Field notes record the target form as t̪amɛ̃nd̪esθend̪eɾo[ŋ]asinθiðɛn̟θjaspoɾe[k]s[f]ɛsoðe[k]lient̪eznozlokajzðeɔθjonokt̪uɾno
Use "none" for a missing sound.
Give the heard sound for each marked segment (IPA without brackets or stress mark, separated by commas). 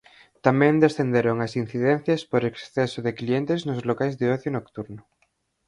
ŋ, k, θ, k